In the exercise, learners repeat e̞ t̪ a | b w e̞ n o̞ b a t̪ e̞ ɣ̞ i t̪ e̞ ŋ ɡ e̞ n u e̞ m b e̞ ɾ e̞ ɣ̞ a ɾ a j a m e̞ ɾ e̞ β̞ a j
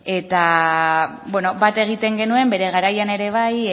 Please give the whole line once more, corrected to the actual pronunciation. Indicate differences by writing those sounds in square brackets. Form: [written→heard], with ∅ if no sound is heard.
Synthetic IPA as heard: e̞ t̪ a | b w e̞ n o̞ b a t̪ e̞ ɣ̞ i t̪ e̞ ŋ ɡ e̞ n u e̞ m b e̞ ɾ e̞ ɣ̞ a ɾ a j a [m→n] e̞ ɾ e̞ β̞ a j